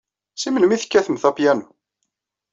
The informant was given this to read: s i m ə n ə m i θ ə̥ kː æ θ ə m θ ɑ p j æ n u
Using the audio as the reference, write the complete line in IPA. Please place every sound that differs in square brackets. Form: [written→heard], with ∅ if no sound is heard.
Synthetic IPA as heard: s i m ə n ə m i θ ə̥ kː æ θ ə m θ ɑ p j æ n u